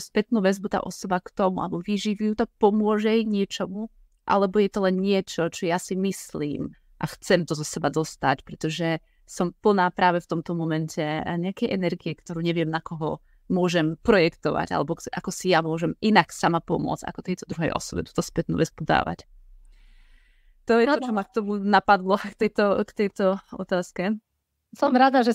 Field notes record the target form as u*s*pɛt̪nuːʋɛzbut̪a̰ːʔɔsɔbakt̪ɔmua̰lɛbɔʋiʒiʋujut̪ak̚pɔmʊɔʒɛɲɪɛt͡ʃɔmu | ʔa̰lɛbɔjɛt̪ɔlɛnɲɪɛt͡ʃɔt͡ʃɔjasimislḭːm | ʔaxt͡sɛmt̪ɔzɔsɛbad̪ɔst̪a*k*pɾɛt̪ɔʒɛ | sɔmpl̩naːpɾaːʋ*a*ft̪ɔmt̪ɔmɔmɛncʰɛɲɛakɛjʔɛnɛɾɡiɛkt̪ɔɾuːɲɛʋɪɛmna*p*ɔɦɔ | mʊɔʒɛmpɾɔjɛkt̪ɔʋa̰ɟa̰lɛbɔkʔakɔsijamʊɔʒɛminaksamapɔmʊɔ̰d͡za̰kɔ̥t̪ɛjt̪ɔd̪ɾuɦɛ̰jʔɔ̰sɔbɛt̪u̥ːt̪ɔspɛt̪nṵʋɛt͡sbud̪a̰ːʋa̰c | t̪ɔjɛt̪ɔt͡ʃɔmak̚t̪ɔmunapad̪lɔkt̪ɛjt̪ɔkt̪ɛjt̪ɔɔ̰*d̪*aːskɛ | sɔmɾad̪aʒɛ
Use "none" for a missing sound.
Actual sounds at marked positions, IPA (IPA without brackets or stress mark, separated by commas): s, c, ɛ, k, t̪